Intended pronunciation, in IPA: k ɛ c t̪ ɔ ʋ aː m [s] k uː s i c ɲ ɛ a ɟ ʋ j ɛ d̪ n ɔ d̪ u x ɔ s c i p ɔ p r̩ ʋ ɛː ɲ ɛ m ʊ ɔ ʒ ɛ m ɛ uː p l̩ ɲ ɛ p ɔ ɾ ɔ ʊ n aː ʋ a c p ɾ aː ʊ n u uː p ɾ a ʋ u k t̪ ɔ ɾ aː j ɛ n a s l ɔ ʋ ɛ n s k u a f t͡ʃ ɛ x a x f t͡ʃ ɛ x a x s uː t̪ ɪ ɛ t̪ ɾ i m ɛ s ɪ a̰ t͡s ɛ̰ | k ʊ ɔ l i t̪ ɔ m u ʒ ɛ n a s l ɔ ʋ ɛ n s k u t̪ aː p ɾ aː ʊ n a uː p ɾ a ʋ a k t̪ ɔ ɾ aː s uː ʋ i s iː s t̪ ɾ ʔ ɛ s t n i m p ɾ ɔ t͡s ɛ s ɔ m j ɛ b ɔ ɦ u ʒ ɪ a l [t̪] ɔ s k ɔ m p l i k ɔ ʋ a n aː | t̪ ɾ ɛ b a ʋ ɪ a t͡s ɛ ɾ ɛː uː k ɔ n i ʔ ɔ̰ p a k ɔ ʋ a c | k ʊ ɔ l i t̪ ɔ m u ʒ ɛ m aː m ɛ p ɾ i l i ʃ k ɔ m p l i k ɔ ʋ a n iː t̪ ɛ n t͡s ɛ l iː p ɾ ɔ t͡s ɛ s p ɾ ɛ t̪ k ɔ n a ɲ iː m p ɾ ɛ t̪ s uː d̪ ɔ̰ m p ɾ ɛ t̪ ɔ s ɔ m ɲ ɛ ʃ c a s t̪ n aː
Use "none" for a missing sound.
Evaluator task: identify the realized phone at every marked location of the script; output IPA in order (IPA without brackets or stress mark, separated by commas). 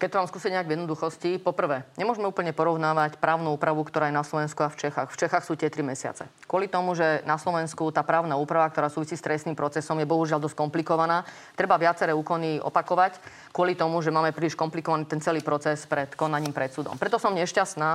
s, d̪